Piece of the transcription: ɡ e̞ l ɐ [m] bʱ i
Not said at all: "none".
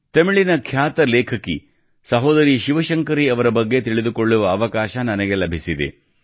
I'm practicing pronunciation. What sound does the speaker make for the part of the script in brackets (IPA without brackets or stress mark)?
none